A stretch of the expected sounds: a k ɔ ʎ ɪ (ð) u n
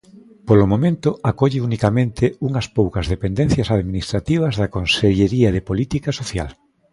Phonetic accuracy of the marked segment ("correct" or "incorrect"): incorrect